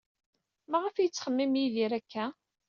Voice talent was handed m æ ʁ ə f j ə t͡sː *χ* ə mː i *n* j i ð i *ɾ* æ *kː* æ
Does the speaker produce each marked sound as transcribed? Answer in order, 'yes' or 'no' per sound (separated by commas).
yes, no, yes, yes